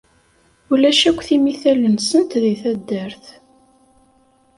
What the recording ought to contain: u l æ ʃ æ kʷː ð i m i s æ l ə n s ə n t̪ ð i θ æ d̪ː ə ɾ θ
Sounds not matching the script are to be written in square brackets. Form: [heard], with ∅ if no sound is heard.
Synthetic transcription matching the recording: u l æ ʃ æ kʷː [θ] i m i [θ] æ l ə n s ə n t̪ ð i θ æ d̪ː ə ɾ θ